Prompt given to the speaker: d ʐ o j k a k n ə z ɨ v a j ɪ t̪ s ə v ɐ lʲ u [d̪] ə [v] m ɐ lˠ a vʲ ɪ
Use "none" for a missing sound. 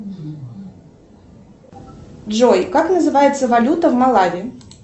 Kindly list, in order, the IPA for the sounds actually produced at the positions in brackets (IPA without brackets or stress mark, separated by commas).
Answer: t̪, v